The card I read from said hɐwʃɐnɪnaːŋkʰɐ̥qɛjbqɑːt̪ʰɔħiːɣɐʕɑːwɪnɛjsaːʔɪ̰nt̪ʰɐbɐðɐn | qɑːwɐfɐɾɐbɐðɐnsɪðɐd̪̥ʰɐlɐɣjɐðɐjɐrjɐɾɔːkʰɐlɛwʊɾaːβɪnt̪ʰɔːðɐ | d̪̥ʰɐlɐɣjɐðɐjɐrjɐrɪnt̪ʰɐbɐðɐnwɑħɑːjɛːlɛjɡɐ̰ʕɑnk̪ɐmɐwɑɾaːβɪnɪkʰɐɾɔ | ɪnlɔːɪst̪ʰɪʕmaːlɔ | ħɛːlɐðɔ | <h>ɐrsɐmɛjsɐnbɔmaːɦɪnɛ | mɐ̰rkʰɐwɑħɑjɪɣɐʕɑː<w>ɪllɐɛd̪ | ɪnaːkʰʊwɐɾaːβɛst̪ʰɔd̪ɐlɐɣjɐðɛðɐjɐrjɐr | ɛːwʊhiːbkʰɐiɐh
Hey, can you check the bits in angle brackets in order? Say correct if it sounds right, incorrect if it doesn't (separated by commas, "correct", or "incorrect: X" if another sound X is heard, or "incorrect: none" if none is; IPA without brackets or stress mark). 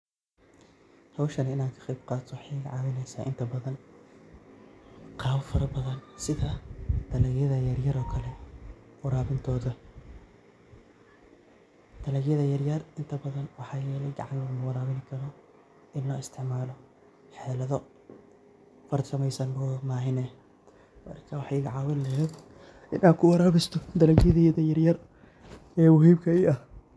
incorrect: f, correct